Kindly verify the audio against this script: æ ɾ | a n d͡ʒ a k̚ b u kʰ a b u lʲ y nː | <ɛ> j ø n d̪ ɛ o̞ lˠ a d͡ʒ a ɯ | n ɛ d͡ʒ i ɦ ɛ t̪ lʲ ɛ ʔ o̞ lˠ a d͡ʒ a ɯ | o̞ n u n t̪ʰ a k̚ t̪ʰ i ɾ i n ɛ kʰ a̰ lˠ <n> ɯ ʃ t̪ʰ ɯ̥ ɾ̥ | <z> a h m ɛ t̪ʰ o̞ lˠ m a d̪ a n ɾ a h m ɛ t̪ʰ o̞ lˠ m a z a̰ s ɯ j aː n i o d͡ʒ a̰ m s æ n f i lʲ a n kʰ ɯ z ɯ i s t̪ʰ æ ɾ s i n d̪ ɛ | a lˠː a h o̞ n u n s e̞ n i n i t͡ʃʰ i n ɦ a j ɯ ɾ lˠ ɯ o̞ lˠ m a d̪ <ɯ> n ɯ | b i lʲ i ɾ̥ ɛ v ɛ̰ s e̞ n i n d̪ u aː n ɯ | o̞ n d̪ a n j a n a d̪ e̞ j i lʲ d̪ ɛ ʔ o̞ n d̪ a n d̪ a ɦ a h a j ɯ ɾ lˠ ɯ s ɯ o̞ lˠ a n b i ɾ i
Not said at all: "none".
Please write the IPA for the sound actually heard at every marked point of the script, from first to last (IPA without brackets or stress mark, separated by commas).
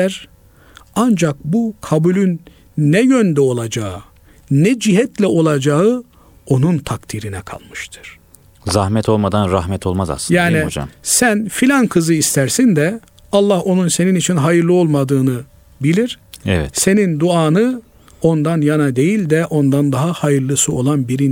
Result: ɛ, m, z, ɯː